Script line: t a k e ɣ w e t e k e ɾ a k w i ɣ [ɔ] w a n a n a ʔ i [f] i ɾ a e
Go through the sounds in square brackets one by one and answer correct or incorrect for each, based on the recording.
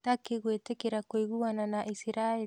incorrect, incorrect

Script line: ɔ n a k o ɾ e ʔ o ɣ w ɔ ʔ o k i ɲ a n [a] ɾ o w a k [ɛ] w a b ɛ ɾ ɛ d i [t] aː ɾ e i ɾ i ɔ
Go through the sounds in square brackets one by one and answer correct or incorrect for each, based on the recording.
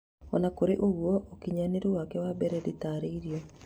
incorrect, correct, correct

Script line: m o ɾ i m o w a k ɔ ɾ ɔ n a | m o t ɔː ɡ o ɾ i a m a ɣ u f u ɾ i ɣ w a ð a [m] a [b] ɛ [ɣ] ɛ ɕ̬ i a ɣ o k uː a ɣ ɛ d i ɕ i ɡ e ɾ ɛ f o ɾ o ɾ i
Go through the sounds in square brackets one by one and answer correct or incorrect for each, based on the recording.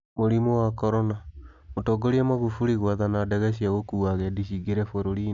incorrect, incorrect, correct

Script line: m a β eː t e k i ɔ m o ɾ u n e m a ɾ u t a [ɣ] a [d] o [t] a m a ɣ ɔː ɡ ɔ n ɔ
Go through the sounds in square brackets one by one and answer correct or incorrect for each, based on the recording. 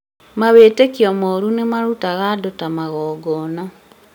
correct, correct, correct

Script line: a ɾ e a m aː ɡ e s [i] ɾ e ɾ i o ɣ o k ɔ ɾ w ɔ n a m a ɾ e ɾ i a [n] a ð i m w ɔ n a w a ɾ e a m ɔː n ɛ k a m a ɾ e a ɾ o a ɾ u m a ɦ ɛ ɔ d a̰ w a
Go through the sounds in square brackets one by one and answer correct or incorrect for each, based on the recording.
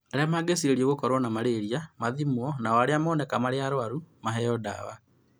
correct, incorrect

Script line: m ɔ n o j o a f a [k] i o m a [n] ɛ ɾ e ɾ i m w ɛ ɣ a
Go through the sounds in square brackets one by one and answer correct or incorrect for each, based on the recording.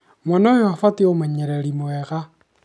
incorrect, incorrect

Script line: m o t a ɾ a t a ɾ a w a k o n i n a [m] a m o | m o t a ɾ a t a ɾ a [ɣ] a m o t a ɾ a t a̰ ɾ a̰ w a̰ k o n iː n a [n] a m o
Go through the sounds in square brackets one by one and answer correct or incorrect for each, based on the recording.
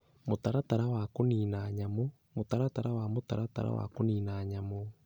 incorrect, incorrect, incorrect

